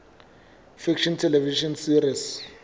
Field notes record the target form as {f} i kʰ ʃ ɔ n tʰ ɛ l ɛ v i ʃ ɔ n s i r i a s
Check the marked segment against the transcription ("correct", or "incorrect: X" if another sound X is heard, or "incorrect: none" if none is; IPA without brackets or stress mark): correct